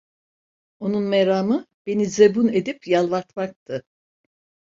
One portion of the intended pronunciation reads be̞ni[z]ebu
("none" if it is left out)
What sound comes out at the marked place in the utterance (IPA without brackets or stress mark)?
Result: z